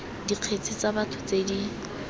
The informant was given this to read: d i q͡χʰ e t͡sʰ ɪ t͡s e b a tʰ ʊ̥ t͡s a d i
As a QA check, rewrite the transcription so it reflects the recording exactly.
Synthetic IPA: d i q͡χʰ e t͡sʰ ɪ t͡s a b a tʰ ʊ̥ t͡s e d i